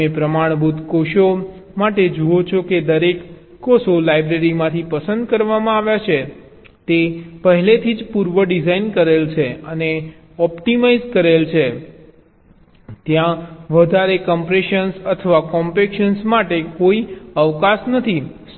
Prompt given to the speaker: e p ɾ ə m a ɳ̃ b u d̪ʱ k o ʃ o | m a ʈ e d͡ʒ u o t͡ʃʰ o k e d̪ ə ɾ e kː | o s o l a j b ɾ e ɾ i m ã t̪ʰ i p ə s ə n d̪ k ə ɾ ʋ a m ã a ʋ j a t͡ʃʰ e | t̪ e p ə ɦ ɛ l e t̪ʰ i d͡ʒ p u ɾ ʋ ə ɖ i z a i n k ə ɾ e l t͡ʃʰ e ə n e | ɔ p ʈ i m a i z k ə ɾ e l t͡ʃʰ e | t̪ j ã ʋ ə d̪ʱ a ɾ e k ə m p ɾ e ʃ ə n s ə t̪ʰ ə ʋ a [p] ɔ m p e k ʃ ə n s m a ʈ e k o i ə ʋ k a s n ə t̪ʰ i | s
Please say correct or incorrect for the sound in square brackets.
incorrect: k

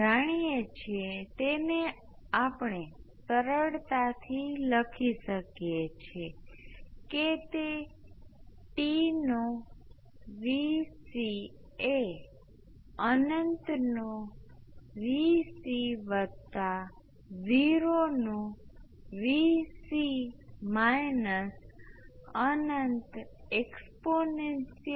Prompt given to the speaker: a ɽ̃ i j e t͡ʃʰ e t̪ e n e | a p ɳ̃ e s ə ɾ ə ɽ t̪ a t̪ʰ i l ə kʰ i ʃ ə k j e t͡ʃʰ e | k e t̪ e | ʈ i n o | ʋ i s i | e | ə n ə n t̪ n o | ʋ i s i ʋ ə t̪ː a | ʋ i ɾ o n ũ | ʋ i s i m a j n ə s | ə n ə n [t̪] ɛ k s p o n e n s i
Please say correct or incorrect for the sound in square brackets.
correct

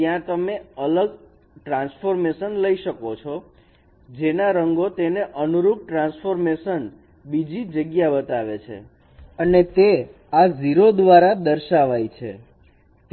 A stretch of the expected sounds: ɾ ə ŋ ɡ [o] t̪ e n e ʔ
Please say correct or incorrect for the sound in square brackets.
correct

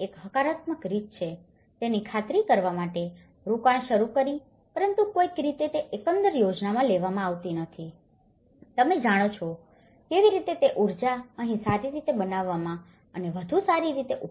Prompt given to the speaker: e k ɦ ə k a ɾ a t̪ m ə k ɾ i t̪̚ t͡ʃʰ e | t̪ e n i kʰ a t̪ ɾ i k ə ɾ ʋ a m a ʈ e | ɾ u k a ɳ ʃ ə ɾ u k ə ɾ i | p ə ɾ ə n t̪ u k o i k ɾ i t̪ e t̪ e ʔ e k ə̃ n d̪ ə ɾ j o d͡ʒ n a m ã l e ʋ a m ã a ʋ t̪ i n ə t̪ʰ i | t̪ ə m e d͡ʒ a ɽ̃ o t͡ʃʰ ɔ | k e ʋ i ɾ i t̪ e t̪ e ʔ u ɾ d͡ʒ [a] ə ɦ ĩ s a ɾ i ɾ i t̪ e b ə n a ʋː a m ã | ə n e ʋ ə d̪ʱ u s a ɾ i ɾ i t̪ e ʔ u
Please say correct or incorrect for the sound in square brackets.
correct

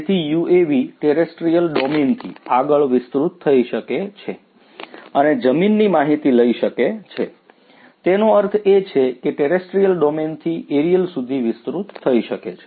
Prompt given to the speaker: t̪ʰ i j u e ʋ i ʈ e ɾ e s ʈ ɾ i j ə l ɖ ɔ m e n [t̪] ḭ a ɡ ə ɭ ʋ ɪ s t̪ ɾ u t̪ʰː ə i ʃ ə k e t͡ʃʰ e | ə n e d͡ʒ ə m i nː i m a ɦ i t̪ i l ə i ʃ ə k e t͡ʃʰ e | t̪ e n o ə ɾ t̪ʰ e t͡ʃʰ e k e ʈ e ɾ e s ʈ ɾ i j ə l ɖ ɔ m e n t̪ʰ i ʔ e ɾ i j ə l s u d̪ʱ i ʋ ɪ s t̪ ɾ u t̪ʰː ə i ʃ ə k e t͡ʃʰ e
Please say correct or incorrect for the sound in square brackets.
incorrect: t̪ʰ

